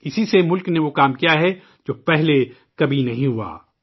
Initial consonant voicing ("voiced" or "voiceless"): voiceless